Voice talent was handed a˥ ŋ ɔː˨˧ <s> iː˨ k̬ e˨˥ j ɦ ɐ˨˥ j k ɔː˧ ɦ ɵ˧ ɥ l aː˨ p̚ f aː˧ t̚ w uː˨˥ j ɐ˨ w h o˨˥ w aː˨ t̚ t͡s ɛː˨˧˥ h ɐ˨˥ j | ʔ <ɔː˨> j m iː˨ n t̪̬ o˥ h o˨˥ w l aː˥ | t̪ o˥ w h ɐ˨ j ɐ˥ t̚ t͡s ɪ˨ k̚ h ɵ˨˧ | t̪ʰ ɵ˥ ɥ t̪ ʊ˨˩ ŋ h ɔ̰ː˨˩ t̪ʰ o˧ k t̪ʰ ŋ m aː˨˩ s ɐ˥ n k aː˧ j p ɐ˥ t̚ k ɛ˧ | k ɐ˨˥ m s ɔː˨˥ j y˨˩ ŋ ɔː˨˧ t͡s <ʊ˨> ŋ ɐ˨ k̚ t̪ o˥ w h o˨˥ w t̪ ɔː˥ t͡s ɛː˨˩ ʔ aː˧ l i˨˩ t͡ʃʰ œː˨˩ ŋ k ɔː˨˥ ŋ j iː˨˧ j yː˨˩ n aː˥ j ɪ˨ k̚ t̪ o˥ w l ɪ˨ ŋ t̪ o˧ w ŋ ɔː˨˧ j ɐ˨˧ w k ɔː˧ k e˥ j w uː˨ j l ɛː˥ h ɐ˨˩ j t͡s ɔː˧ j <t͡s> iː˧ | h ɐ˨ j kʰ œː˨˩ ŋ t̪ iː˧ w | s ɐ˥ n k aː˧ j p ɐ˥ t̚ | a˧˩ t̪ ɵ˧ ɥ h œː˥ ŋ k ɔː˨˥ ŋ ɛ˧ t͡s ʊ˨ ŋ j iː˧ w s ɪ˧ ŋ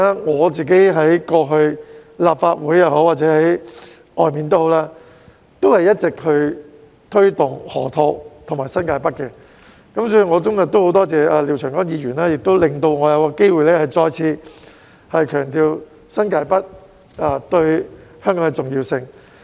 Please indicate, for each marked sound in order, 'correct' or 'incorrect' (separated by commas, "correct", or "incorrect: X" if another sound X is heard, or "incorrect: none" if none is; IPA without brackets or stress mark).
incorrect: t͡s, correct, incorrect: ʊ˥, incorrect: t͡sʰ